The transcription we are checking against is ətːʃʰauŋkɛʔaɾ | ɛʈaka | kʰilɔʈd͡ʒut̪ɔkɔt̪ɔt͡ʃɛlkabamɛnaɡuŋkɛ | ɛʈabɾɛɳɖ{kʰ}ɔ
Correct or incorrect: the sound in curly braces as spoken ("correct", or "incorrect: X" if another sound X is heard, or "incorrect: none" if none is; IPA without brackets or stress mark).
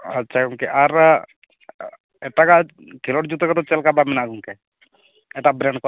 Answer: incorrect: k